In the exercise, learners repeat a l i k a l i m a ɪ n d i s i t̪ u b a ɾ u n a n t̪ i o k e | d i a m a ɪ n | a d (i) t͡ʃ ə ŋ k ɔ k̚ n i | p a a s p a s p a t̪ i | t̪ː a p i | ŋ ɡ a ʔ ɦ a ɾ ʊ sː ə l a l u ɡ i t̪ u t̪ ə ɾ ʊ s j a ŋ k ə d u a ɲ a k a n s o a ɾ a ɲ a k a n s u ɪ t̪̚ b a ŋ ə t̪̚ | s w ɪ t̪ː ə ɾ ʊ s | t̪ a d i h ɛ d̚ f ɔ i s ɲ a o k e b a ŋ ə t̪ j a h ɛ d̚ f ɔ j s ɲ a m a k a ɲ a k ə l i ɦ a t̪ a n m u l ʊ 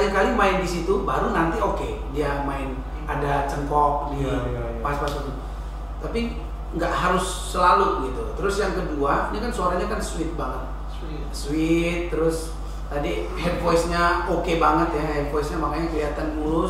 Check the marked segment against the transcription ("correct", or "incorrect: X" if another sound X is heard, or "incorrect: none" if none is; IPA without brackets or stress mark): incorrect: a